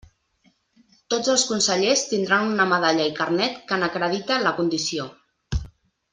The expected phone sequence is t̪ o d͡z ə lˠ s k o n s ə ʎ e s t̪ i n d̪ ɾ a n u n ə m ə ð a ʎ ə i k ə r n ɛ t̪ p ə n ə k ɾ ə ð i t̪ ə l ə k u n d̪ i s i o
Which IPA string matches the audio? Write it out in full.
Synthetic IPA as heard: t̪ o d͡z ə lˠ s k u n s ə ʎ e s t̪ i n d̪ ɾ a n u n ə m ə ð a ʎ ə i k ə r n ɛ t̪ k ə n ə k ɾ ə ð i t̪ ə l ə k u n d̪ i s i o

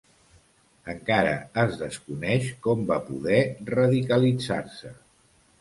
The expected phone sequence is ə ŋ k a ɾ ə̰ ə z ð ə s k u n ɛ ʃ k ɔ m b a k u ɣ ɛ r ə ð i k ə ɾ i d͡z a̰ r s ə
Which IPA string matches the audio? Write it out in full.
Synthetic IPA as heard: ə ŋ k a ɾ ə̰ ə z ð ə s k u n ɛ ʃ k ɔ m b a p u ð ɛ r ə ð i k ə l i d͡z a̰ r s ə

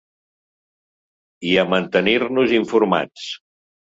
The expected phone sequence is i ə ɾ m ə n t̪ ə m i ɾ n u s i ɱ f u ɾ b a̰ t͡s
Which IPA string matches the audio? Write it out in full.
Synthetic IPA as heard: i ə m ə n t̪ ə n i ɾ n u z i ɱ f u ɾ m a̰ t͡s

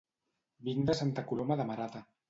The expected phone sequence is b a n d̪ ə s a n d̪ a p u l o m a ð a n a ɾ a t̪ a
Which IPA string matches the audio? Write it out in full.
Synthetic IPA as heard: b i n d̪ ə s a n t̪ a k u l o m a ð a m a ɾ a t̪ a

